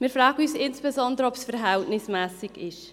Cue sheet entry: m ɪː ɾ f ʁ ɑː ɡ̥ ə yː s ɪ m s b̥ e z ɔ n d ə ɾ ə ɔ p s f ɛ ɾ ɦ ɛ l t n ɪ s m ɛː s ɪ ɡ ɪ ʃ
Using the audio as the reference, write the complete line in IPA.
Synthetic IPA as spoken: m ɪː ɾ f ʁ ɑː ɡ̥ ə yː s ɪ n s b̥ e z ɔ n d ə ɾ ə ɔ p s f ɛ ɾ ɦ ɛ l t n ɪ s m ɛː s ɪ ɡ ɪ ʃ